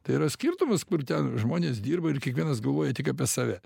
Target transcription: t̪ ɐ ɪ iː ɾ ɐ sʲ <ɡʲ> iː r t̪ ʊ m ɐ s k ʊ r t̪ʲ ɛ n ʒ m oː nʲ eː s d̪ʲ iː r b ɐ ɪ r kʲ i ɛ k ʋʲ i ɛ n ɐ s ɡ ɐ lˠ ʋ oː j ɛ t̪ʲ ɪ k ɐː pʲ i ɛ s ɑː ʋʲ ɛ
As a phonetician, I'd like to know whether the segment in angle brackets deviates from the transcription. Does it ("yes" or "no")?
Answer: yes